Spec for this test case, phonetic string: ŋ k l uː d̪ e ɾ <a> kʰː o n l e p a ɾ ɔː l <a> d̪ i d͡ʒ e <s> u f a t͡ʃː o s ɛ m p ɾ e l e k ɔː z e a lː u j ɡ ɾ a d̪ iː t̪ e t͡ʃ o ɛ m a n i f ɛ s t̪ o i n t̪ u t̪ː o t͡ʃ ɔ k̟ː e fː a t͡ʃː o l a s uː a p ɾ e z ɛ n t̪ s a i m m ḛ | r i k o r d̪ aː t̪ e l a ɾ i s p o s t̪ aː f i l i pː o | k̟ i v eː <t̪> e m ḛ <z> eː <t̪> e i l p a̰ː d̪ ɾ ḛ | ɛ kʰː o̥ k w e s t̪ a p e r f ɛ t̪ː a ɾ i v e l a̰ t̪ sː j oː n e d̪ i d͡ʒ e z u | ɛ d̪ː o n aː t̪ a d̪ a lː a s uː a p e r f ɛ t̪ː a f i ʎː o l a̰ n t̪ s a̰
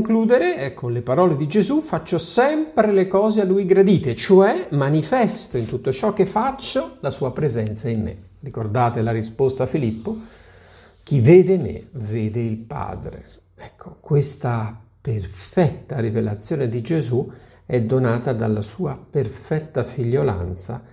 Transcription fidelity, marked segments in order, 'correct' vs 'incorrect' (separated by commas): incorrect, incorrect, incorrect, incorrect, incorrect, incorrect